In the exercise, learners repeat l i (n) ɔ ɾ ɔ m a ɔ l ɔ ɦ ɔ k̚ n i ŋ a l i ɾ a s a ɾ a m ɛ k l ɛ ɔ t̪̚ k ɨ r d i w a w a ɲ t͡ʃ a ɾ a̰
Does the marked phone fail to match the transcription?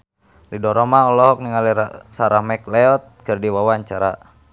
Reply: yes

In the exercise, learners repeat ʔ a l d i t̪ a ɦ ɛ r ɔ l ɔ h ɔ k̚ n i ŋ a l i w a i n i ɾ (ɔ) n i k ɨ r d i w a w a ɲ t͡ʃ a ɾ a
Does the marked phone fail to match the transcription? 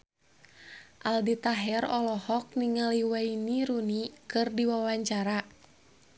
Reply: yes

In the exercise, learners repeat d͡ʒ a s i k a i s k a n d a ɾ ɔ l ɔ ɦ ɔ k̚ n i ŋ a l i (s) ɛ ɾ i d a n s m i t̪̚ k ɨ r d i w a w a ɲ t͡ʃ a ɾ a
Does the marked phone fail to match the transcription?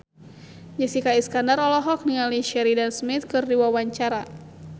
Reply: yes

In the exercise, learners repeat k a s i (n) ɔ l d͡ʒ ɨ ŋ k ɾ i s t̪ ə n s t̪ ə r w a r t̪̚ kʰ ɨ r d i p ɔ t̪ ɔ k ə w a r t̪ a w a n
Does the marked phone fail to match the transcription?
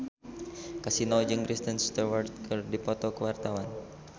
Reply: no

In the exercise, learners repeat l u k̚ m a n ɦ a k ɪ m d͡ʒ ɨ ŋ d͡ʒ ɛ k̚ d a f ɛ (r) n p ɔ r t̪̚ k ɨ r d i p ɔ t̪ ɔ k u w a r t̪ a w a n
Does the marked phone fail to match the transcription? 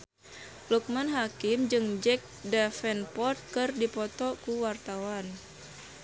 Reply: yes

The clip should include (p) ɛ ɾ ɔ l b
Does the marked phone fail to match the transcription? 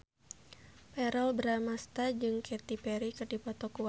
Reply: no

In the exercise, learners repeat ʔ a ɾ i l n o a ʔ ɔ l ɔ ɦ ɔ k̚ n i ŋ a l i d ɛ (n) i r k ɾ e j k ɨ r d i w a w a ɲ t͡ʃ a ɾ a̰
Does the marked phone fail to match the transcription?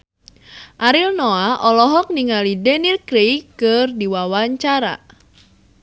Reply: no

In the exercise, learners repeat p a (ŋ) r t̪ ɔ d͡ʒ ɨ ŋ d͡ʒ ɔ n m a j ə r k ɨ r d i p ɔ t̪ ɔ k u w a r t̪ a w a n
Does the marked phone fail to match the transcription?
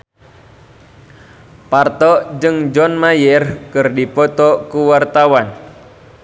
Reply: yes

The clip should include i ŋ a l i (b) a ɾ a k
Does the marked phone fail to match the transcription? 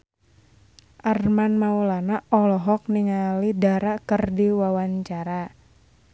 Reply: yes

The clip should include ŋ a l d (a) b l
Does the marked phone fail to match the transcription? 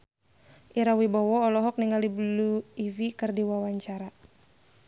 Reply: yes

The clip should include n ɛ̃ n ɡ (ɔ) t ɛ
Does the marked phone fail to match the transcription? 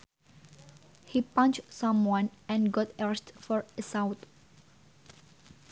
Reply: no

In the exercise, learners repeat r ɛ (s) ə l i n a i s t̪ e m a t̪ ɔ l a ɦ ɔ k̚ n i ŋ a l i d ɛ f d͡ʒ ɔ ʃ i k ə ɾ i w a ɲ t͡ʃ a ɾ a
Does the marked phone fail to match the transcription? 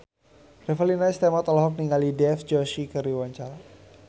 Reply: yes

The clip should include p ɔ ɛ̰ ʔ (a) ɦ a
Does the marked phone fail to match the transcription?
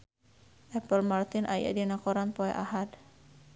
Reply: no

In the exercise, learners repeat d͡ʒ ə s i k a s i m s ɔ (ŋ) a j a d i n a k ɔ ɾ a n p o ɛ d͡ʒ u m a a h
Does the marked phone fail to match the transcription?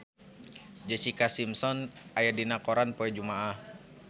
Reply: yes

